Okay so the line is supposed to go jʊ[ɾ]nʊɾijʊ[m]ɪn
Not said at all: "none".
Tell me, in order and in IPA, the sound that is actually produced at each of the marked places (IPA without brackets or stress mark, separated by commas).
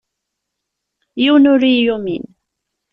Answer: none, m